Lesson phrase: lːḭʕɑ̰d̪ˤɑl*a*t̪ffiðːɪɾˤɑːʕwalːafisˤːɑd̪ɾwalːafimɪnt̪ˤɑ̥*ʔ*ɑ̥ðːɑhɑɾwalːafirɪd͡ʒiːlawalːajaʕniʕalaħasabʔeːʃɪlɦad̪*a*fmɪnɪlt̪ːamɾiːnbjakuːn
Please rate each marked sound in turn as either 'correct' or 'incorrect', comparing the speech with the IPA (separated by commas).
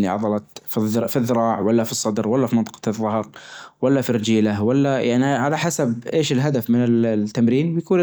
incorrect, incorrect, correct